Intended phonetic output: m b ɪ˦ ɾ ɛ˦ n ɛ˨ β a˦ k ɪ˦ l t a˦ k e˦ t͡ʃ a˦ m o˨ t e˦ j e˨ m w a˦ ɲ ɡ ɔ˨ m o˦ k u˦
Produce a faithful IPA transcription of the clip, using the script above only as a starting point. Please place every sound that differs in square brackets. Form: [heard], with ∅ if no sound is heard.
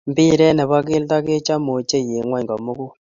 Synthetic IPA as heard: m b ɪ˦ ɾ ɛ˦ n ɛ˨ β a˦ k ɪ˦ l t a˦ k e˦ t͡ʃ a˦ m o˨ [t͡ʃ] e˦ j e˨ [ŋ] w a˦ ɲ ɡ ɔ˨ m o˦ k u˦